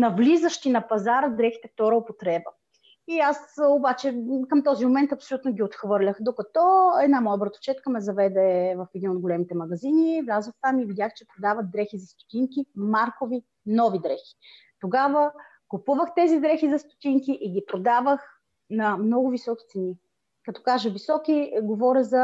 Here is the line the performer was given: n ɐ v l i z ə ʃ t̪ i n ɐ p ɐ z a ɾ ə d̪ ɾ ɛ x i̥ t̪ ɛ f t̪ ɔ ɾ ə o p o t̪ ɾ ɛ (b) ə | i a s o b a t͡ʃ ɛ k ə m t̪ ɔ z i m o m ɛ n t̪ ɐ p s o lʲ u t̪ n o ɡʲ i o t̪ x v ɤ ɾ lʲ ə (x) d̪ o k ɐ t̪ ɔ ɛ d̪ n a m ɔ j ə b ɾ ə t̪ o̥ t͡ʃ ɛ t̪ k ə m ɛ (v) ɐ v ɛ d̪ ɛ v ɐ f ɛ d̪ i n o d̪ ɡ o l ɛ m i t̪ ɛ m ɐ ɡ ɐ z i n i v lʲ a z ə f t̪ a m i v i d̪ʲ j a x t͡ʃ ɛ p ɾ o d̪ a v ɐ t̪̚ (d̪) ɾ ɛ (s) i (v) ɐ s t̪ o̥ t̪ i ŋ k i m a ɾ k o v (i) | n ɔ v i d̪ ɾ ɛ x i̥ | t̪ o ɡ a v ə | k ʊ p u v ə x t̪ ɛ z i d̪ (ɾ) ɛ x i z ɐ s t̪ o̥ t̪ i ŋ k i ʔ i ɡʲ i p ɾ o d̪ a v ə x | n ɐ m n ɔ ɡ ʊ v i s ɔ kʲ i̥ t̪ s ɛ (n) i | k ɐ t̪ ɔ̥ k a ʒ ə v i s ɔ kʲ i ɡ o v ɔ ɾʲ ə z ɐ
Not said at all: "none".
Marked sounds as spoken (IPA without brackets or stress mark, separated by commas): b, x, z, d̪, x, z, i, ɾ, n